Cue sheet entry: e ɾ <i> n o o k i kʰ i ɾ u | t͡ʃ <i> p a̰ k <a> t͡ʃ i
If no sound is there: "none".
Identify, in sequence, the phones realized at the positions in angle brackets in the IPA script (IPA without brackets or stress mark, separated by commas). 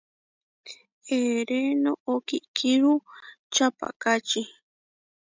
e, a, a